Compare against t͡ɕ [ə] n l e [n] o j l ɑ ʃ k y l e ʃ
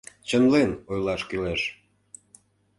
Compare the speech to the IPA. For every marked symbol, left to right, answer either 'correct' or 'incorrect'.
correct, correct

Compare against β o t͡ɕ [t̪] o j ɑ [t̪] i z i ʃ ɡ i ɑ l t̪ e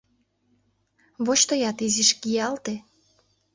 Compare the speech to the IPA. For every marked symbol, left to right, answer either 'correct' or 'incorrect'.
correct, correct

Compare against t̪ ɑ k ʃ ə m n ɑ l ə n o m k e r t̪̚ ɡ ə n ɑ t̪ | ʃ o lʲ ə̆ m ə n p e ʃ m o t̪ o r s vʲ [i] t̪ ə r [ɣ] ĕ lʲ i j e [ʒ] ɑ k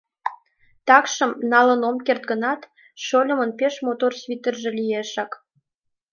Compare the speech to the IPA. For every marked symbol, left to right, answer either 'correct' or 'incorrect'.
correct, incorrect, incorrect

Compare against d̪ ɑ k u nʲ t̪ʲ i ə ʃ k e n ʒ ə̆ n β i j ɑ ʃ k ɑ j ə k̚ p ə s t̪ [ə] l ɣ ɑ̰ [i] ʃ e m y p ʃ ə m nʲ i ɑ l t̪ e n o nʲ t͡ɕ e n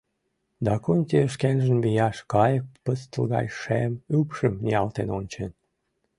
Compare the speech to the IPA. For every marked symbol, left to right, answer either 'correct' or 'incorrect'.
correct, incorrect

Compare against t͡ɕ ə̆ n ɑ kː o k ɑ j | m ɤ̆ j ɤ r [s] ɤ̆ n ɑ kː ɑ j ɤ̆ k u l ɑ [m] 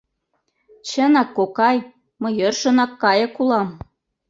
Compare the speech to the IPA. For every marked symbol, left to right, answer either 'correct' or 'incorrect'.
incorrect, correct

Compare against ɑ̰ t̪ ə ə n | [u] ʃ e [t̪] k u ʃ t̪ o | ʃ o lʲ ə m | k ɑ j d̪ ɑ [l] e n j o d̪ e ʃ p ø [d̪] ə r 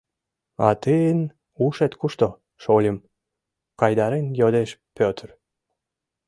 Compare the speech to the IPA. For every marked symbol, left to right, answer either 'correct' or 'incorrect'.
correct, correct, incorrect, incorrect

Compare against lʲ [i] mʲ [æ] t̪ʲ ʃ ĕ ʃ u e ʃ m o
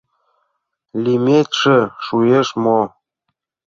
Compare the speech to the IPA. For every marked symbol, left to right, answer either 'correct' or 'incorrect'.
correct, incorrect

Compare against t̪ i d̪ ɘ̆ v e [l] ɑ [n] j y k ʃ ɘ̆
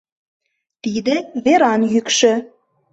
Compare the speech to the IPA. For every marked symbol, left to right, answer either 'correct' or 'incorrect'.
incorrect, correct

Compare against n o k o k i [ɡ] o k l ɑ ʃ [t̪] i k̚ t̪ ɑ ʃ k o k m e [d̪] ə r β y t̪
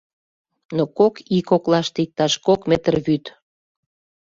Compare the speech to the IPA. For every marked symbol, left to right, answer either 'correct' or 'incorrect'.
incorrect, correct, incorrect

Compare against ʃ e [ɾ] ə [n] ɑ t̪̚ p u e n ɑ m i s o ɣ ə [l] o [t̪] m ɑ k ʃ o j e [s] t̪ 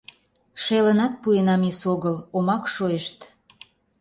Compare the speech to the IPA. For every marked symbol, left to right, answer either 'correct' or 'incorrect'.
incorrect, correct, correct, incorrect, incorrect

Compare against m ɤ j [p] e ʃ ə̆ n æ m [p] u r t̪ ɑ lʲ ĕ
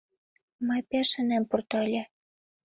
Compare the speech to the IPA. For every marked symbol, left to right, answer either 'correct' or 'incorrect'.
correct, correct

